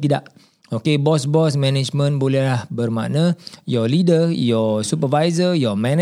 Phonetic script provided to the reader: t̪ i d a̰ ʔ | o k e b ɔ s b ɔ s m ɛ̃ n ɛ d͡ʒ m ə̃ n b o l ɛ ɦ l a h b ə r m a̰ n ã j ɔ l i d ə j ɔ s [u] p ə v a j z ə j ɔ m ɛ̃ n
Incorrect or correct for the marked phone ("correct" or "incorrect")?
correct